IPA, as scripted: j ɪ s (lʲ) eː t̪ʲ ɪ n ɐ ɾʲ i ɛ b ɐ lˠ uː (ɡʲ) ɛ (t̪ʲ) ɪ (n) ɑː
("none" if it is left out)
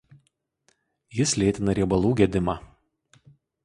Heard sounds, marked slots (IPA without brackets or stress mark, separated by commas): lʲ, ɡʲ, d̪ʲ, m